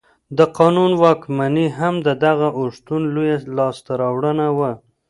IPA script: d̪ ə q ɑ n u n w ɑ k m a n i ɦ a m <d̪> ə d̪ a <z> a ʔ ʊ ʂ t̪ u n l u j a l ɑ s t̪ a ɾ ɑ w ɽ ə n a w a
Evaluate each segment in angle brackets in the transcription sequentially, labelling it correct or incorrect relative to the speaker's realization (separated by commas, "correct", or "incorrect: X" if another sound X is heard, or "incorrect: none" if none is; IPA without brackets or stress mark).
correct, incorrect: ɣ